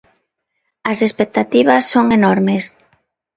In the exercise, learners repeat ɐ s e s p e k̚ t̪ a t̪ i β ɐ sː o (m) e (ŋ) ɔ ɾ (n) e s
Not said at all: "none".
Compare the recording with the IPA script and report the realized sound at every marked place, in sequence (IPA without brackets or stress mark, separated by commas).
ŋ, n, m